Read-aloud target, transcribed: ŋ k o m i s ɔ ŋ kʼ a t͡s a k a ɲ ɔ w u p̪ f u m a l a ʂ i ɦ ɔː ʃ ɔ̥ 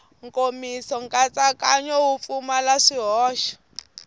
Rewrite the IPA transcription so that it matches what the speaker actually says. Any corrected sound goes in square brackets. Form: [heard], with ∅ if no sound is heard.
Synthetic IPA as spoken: ŋ k o m i s ɔ ŋ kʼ a t͡s a k a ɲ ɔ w u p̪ f u m a l a ʂ i ɦ ɔː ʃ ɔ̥